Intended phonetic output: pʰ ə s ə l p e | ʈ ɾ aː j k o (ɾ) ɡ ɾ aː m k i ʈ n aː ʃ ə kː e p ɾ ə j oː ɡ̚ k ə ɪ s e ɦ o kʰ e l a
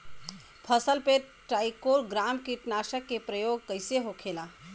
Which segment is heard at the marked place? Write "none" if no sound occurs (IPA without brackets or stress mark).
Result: ɾ